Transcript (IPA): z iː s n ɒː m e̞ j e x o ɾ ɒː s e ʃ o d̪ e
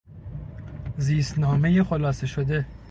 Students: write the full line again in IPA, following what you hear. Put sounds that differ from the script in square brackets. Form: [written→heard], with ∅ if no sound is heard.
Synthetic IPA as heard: z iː s n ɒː m e̞ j e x o [ɾ→l] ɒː s e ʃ o d̪ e